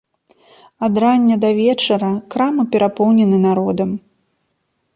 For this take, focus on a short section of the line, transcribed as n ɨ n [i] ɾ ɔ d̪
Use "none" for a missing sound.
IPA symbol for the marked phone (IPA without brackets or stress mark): a